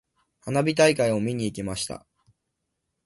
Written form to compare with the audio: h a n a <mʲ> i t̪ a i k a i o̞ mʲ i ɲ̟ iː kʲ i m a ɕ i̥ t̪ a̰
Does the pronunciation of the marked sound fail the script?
yes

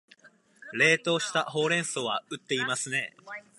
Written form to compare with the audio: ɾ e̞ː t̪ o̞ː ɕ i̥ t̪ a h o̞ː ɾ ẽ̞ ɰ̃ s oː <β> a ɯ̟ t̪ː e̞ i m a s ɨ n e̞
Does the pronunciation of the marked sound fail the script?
no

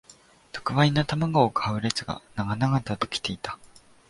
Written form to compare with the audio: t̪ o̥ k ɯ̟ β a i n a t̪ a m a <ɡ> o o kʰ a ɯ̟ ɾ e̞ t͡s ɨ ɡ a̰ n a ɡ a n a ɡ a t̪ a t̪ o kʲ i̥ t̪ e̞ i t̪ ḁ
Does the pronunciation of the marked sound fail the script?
no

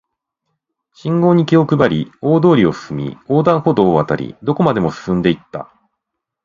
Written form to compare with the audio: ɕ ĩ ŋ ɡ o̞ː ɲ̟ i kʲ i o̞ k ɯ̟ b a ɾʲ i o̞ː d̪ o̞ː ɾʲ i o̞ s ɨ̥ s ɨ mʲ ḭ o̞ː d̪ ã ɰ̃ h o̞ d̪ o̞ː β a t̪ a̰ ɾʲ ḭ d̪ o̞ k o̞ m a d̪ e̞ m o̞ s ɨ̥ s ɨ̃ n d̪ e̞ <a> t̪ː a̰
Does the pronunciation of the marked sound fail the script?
yes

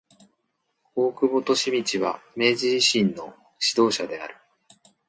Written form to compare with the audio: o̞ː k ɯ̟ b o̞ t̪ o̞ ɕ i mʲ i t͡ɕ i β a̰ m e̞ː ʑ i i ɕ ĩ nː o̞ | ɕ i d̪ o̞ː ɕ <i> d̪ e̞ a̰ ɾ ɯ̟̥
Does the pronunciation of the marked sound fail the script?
yes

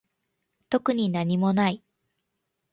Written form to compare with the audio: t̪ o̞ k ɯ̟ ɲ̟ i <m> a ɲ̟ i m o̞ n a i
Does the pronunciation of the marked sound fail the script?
yes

